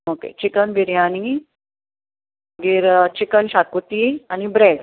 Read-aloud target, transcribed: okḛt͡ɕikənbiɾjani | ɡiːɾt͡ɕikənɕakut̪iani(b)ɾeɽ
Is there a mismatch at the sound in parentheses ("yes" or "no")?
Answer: no